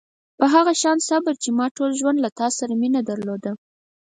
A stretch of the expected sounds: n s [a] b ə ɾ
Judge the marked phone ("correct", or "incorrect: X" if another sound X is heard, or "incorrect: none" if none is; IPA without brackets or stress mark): correct